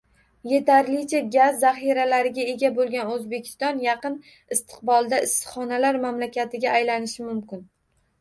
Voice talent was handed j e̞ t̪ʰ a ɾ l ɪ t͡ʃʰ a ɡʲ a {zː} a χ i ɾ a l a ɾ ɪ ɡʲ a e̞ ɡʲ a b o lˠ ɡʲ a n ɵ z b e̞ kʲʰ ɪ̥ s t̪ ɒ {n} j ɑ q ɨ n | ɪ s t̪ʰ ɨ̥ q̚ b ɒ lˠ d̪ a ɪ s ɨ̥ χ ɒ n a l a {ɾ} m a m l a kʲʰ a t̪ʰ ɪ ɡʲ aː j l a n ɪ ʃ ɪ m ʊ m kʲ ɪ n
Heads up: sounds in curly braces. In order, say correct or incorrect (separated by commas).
correct, correct, correct